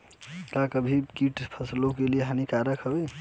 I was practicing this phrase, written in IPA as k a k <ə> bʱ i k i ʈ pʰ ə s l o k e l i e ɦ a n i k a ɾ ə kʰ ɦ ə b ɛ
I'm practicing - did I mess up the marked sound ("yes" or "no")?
no